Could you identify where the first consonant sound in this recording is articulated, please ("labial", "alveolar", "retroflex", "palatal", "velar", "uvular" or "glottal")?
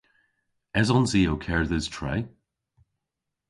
alveolar